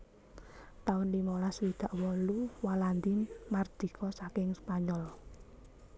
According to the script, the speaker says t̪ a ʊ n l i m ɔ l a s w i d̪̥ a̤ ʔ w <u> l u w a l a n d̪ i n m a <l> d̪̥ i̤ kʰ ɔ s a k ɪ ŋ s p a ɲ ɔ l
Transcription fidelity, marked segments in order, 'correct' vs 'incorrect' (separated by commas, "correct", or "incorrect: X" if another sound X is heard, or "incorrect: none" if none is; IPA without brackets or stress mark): incorrect: ɔ, incorrect: r